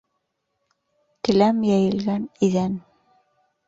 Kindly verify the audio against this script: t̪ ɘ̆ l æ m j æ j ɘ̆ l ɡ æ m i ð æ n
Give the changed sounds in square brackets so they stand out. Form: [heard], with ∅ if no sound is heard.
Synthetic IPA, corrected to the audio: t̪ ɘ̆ l æ m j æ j ɘ̆ l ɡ æ [n] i ð æ n